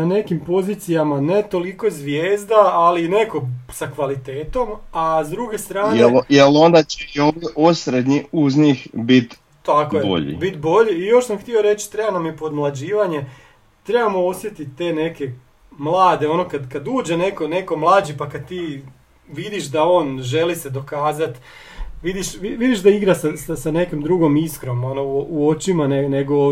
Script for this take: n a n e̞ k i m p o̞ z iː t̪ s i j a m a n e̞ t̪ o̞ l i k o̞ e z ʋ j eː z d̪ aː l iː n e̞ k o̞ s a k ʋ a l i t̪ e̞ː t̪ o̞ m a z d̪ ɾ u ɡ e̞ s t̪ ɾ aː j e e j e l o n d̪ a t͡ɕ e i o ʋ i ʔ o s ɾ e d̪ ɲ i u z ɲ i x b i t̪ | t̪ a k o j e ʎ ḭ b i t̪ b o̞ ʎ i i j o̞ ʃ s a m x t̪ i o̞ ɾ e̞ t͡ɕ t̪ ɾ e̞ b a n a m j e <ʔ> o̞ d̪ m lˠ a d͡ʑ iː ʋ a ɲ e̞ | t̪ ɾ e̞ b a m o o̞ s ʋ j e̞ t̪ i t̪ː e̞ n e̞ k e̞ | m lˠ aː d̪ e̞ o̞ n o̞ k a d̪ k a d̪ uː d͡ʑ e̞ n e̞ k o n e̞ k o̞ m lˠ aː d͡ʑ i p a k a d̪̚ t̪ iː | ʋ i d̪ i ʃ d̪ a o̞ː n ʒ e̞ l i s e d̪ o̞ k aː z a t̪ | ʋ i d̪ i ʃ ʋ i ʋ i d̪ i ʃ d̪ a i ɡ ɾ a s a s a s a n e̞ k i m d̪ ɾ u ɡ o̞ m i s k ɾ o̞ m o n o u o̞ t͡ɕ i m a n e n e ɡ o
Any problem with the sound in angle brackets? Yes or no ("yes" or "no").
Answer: yes